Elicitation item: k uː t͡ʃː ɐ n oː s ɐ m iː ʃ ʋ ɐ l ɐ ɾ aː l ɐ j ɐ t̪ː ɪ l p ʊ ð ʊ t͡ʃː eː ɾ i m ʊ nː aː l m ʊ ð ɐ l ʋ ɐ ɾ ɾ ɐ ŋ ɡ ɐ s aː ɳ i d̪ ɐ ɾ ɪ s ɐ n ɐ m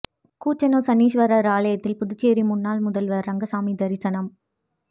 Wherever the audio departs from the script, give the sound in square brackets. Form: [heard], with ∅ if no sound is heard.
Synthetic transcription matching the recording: k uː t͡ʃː ɐ n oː s ɐ [n] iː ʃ ʋ ɐ [ɾ] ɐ ɾ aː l ɐ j ɐ t̪ː ɪ l p ʊ ð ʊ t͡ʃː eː ɾ i m ʊ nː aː l m ʊ ð ɐ l ʋ ɐ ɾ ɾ ɐ ŋ ɡ ɐ s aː [m] i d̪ ɐ ɾ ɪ s ɐ n ɐ m